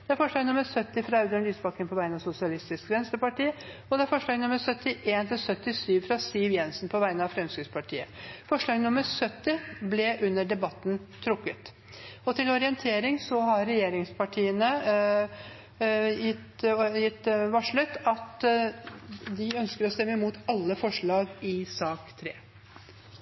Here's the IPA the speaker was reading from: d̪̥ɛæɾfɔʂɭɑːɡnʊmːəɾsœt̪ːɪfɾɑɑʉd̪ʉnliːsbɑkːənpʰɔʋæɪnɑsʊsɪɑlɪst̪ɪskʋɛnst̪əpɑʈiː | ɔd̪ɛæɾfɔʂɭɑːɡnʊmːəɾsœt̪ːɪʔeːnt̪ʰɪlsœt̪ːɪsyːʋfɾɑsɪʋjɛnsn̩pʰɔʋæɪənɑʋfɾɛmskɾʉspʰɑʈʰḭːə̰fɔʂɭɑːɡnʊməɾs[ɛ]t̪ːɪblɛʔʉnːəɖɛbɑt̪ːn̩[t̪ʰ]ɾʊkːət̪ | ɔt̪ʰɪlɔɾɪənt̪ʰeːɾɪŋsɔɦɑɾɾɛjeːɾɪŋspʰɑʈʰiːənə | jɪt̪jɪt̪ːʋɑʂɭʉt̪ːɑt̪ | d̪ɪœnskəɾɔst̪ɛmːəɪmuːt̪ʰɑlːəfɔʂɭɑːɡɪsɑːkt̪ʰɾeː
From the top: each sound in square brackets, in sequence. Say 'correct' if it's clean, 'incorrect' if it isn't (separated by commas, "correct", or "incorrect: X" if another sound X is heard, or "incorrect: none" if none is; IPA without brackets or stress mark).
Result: incorrect: œ, correct